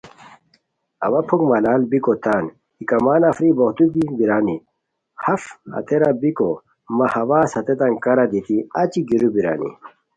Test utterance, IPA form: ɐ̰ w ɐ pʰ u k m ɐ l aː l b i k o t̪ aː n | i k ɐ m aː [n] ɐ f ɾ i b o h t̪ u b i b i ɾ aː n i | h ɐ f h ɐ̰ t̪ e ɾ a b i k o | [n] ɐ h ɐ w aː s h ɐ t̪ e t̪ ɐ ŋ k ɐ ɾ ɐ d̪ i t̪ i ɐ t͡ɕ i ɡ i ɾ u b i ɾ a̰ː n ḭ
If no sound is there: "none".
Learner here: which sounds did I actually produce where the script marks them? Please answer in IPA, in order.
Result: n, m

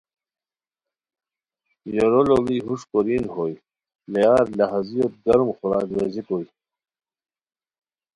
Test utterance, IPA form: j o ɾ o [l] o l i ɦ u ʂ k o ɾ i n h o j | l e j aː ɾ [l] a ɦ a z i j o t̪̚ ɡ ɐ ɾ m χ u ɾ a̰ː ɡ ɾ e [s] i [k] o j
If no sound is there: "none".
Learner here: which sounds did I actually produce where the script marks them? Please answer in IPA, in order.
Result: l, l, z, k

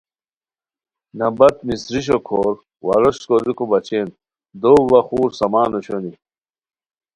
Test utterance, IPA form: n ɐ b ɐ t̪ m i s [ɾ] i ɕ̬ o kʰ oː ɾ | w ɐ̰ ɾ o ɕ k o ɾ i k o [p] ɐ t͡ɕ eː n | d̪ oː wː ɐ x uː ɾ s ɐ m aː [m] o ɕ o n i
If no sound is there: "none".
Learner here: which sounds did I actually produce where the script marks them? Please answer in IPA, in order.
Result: ɾ, b, n

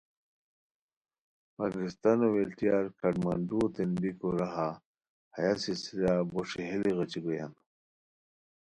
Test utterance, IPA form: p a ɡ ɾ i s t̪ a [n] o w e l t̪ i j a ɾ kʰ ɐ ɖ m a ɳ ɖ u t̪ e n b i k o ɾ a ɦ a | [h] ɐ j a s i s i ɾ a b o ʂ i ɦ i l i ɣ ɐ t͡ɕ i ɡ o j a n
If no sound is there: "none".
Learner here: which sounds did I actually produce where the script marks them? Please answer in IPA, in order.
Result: n, h

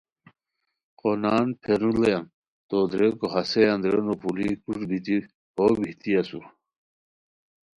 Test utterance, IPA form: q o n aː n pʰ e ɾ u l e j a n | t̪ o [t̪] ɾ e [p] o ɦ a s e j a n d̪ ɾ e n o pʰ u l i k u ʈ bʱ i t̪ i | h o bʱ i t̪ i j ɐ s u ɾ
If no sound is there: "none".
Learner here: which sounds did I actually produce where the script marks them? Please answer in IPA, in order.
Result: d̪, k

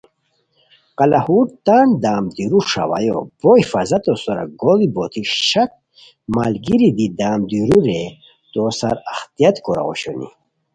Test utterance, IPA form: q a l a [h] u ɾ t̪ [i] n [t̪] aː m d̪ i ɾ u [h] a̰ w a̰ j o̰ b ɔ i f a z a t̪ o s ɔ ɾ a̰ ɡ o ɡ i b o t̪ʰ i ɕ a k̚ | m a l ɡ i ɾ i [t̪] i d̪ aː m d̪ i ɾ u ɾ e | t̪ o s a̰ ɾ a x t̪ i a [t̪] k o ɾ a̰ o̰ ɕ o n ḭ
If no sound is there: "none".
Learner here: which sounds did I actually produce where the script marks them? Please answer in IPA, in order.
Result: h, a, d̪, ʂ, d̪, t̪

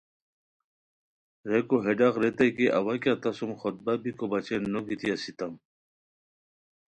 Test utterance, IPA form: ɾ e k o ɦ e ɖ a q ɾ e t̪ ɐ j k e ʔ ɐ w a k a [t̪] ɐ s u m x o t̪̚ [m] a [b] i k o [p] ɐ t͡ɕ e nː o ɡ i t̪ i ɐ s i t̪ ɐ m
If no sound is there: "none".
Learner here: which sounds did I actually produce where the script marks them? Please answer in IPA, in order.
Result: t̪, b, b, b

